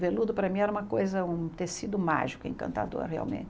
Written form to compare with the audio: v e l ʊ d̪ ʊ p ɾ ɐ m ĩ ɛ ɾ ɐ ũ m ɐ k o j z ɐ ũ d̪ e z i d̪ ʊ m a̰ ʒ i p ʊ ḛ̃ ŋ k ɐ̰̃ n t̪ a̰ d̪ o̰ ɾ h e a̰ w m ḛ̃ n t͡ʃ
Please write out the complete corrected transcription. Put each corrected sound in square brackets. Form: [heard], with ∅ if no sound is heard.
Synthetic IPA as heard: v e l [u] d̪ ʊ p ɾ ɐ m ĩ ɛ ɾ ɐ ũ m ɐ k o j z ɐ ũ [t̪] e [s] i d̪ ʊ m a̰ ʒ i [k] ʊ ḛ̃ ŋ k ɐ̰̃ n t̪ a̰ d̪ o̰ ɾ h e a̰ w m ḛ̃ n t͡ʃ